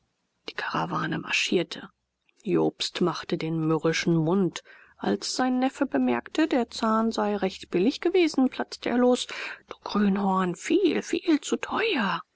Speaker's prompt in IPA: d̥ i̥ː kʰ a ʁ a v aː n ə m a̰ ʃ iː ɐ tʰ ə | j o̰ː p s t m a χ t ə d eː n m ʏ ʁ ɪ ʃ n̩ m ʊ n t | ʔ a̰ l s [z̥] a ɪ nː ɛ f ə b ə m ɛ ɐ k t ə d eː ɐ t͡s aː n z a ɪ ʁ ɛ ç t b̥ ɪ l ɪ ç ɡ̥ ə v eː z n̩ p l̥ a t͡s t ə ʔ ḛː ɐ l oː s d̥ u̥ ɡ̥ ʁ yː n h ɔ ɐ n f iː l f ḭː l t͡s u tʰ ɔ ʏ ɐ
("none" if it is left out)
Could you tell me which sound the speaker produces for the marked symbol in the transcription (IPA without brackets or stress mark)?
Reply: z̥